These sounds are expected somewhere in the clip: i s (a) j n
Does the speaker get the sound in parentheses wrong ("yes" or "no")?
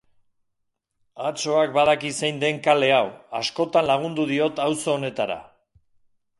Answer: yes